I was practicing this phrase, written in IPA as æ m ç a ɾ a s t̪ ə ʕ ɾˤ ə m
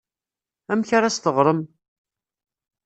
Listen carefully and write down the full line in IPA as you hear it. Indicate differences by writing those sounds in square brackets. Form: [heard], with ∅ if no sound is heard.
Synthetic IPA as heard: æ m ç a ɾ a s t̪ ə [ʁ] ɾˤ ə m